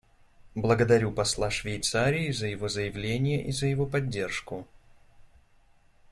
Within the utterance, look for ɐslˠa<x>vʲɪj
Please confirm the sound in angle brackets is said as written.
no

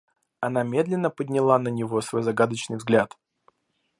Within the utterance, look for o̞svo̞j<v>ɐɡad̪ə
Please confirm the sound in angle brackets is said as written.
no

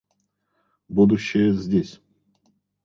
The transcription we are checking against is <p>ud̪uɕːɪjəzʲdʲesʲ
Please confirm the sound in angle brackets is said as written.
no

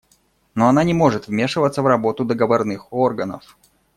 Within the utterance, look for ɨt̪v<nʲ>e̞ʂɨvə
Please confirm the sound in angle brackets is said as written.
no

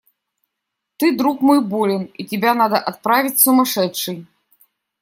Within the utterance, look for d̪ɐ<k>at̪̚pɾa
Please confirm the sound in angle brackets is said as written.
no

